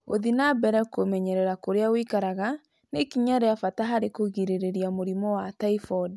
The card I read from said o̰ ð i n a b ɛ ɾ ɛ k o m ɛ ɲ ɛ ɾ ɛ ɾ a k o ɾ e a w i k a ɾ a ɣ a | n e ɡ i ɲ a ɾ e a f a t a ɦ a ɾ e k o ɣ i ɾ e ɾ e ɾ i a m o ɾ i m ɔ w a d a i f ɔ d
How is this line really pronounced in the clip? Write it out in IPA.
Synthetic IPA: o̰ ð i n a b ɛ ɾ ɛ k o m ɛ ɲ ɛ ɾ ɛ ɾ a k o ɾ e a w i k a ɾ a ɣ a | n e k i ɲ a ɾ e a f a t a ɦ a ɾ e k o ɣ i ɾ e ɾ e ɾ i a m o ɾ i m ɔ w a t a i f ɔ d